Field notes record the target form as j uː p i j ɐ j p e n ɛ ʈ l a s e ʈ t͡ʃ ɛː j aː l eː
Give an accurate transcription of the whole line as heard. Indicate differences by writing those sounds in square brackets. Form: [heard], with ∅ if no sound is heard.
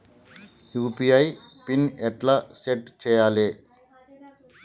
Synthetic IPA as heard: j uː p i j ɐ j p [i] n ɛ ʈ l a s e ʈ t͡ʃ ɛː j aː l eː